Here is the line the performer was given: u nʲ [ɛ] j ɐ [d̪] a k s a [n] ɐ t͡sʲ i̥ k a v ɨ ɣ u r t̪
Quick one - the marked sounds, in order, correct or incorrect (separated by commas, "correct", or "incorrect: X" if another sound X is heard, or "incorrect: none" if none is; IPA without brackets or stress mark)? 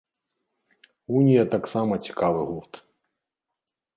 incorrect: i, incorrect: t̪, incorrect: m